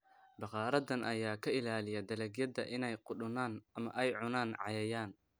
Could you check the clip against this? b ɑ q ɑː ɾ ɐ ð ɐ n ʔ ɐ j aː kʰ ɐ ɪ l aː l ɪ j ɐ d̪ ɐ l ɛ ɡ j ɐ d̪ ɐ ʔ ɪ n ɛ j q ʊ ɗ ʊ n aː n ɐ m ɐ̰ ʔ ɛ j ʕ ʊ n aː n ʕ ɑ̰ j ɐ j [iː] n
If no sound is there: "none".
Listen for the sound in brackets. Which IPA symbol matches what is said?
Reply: aː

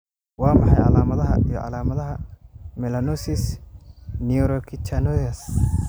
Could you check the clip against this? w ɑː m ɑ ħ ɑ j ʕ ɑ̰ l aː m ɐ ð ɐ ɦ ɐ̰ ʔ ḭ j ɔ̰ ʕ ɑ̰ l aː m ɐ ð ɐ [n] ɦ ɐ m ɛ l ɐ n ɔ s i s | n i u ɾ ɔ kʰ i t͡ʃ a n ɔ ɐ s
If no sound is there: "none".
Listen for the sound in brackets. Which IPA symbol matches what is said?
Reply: none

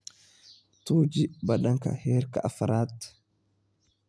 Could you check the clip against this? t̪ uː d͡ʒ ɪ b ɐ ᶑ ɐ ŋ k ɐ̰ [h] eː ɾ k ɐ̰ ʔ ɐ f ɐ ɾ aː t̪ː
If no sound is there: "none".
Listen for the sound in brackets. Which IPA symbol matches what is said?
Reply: h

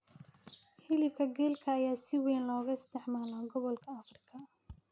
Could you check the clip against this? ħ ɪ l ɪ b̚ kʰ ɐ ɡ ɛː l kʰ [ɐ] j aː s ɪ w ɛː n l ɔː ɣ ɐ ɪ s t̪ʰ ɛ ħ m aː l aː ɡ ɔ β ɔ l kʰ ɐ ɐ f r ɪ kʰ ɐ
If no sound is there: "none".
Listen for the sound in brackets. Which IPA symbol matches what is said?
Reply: ɐː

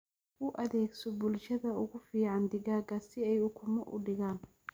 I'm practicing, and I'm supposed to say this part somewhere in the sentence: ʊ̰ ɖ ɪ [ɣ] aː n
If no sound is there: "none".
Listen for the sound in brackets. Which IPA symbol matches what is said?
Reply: ɣ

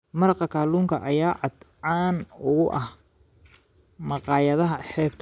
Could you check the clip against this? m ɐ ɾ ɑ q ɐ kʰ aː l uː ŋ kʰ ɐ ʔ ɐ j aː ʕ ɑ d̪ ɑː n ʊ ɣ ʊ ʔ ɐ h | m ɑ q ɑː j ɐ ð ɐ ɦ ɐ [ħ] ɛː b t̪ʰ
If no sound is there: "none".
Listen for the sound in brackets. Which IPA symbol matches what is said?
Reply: ħ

